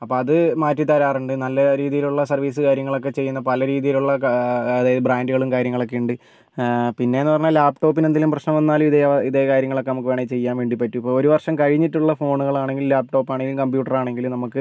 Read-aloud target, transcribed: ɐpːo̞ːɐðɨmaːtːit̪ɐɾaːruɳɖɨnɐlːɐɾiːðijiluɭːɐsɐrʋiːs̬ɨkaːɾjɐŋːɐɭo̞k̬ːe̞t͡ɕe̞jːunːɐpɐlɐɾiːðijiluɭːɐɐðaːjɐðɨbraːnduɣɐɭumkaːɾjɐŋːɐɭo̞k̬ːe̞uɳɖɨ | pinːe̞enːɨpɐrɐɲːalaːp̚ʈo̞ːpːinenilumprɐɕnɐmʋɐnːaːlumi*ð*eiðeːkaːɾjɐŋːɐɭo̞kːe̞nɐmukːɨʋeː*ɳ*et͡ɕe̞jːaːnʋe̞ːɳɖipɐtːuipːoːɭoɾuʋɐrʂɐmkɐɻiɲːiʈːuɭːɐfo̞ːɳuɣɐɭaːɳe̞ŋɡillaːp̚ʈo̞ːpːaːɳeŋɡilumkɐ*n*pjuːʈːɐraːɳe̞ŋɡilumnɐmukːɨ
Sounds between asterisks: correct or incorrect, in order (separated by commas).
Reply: correct, correct, incorrect